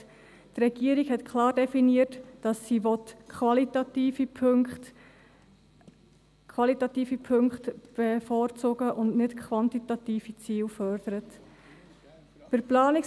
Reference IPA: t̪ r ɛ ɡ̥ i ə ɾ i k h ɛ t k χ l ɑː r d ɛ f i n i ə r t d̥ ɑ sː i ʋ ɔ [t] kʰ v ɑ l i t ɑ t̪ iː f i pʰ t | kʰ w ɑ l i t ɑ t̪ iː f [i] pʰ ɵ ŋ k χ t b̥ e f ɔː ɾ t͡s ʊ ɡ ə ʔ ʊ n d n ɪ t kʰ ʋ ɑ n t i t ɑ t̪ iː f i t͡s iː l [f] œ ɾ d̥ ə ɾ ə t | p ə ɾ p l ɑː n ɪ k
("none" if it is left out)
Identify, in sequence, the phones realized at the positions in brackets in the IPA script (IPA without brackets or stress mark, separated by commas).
t, i, f